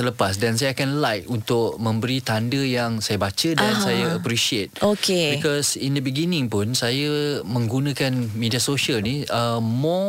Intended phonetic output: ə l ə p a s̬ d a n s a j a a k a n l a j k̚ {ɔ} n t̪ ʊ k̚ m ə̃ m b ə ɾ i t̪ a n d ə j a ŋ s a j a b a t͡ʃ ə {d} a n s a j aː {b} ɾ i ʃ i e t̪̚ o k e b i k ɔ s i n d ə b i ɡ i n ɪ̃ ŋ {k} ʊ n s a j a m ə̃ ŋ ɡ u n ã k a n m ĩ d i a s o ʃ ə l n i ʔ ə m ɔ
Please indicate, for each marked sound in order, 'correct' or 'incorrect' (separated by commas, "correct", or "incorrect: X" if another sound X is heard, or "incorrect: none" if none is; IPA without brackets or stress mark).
incorrect: u, correct, incorrect: p, incorrect: p